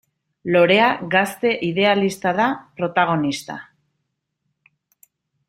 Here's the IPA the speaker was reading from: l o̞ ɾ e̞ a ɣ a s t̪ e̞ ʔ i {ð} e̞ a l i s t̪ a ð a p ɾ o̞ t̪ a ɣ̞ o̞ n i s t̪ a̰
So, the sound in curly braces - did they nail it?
yes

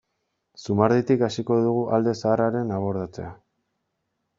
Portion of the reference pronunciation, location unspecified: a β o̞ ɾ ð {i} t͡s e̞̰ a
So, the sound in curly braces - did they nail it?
no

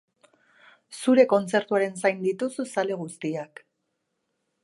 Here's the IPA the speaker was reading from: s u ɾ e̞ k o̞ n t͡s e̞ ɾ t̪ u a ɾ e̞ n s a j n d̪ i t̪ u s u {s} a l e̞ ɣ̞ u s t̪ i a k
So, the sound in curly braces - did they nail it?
yes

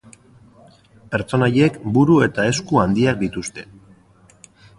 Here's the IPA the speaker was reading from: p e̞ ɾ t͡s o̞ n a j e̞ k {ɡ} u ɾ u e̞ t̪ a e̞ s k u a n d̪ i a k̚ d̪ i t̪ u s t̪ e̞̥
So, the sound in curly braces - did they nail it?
no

